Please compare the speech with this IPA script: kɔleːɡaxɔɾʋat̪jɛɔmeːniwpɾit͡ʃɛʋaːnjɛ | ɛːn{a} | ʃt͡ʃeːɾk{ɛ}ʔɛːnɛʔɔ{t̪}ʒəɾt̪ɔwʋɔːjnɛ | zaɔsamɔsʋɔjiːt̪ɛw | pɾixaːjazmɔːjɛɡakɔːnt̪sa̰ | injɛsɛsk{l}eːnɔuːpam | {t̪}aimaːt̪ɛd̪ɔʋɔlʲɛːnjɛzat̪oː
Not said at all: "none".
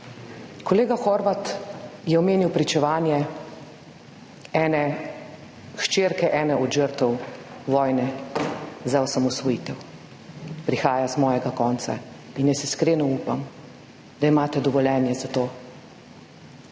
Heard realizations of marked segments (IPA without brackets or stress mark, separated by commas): ɛ, ɛ, d̪, ɾ, d̪